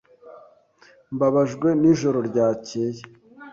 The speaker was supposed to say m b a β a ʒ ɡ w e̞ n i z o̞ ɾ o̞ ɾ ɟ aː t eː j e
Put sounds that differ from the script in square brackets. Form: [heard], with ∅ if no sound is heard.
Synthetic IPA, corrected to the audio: m b a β a ʒ ɡ w e̞ n i [ʒ] o̞ ɾ o̞ ɾ ɟ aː [c] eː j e